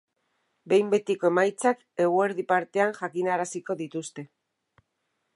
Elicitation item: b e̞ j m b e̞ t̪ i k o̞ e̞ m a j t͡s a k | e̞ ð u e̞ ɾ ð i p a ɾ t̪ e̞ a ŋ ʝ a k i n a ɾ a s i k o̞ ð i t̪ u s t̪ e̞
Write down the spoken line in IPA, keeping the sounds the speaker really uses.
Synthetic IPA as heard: b e̞ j m b e̞ t̪ i k o̞ e̞ m a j t͡s a k | e̞ ɣ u e̞ ɾ ð i p a ɾ t̪ e̞ a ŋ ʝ a k i n a ɾ a s i k o̞ ð i t̪ u s t̪ e̞